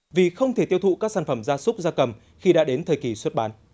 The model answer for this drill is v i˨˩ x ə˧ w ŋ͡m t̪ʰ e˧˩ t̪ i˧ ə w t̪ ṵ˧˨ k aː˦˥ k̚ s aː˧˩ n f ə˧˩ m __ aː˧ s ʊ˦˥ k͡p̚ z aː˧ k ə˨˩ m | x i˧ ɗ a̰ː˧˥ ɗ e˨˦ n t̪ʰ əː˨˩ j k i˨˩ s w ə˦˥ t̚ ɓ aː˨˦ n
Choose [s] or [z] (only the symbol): z